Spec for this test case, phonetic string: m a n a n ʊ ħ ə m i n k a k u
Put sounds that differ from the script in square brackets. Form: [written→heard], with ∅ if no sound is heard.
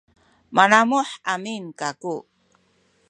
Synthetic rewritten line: m a n a [n→m] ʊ ħ [ə→a] m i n k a k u